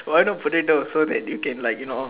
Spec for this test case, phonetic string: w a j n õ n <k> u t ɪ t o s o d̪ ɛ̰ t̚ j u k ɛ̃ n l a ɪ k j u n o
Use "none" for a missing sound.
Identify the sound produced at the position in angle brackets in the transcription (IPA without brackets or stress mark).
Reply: p